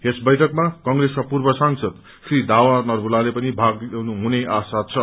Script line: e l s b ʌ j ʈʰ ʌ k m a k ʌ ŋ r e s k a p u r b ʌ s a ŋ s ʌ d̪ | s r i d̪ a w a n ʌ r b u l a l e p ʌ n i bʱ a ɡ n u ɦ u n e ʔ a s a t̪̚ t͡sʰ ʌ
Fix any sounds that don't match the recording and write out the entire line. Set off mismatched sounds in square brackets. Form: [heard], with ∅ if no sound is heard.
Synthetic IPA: e [∅] s b ʌ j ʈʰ ʌ k m a k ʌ ŋ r e s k a p u r b ʌ s a ŋ s ʌ d̪ | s r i d̪ a w a n ʌ r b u l a l e p ʌ n i bʱ a ɡ n u ɦ u n e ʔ a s a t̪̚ t͡sʰ ʌ